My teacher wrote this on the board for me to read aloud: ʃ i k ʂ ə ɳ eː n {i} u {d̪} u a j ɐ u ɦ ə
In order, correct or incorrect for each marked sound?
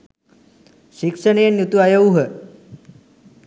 incorrect: j, incorrect: t̪

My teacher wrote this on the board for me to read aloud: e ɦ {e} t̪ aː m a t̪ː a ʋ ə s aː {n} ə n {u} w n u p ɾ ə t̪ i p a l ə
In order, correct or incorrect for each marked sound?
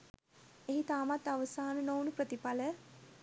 incorrect: i, correct, incorrect: o

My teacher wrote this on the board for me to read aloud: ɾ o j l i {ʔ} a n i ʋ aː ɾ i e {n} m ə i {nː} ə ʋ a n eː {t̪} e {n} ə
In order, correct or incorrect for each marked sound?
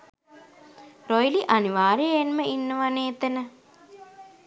correct, correct, correct, correct, correct

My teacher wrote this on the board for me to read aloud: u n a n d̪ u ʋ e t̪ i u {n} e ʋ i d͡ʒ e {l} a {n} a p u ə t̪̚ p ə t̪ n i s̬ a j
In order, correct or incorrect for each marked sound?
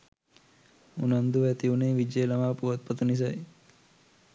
correct, correct, incorrect: m

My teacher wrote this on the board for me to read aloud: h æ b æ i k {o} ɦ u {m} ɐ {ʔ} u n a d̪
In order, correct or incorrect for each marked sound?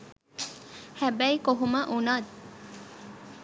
correct, correct, correct

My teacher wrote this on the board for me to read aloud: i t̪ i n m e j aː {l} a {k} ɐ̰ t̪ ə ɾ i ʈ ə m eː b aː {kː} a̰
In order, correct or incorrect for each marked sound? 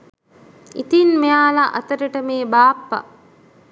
correct, incorrect: ʔ, incorrect: pː

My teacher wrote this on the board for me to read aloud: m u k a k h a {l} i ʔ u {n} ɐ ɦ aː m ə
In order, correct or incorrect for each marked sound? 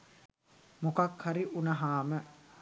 incorrect: ɾ, correct

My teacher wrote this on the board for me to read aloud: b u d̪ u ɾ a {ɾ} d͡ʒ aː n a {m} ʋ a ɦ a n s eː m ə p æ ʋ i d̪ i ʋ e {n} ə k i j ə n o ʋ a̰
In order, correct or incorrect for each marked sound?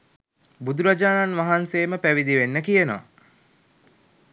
incorrect: none, incorrect: n, incorrect: nː

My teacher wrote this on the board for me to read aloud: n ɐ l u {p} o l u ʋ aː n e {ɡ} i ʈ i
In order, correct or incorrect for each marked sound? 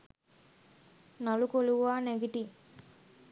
incorrect: k, correct

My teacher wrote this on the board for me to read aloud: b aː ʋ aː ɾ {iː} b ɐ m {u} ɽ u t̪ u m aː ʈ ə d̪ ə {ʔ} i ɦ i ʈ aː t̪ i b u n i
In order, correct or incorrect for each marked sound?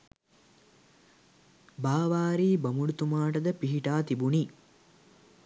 correct, correct, incorrect: p

